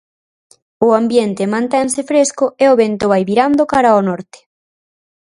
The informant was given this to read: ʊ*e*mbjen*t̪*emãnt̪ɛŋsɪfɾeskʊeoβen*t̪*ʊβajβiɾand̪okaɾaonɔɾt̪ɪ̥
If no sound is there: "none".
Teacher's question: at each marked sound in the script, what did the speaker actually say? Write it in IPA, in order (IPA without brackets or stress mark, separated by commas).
a, t̪, t̪